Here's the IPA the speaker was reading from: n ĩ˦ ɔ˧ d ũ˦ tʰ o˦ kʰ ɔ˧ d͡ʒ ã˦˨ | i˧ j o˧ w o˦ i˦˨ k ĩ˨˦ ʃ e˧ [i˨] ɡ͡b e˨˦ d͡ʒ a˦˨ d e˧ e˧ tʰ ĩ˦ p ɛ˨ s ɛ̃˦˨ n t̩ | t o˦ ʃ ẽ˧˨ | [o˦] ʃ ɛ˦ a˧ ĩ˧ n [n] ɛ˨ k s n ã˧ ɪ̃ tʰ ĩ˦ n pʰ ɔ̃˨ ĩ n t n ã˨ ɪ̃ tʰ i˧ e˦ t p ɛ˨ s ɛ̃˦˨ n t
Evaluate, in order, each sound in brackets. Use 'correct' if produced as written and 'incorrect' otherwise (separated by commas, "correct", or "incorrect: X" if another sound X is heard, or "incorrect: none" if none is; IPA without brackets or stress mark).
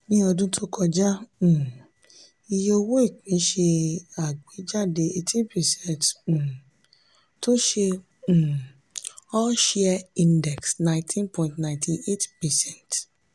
incorrect: a˨, incorrect: ɔ˦, incorrect: d